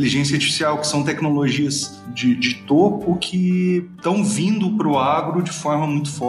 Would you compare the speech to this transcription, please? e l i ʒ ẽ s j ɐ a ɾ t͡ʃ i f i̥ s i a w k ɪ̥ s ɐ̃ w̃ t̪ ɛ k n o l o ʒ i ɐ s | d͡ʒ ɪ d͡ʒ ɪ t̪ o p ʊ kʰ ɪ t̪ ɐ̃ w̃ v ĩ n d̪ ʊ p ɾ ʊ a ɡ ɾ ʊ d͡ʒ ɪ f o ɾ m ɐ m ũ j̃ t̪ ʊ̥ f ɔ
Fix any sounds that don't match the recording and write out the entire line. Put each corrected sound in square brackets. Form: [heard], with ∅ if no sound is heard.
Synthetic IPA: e l i ʒ ẽ s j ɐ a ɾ t͡ʃ i f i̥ s i a w k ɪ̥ s ɐ̃ w̃ t̪ ɛ k n o l o ʒ i ɐ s | d͡ʒ ɪ d͡ʒ ɪ t̪ o p ʊ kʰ ɪ t̪ ɐ̃ w̃ v ĩ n d̪ ʊ p ɾ ʊ a ɡ ɾ ʊ d͡ʒ ɪ f [ɔ] ɾ m ɐ m ũ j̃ t̪ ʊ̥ f ɔ